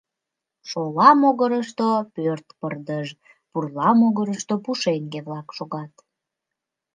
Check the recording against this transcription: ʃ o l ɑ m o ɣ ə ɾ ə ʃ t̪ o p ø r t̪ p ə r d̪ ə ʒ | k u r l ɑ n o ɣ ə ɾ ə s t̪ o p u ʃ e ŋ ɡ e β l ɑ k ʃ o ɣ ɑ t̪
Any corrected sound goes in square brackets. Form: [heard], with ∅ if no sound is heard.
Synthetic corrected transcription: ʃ o l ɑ m o ɣ ə ɾ ə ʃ t̪ o p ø r t̪ p ə r d̪ ə ʒ | [p] u r l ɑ [m] o ɣ ə ɾ ə [ʃ] t̪ o p u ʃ e ŋ ɡ e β l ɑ k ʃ o ɣ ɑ t̪